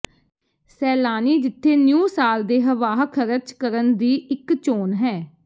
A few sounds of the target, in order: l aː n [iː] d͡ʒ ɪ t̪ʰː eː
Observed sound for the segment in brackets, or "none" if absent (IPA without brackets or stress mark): iː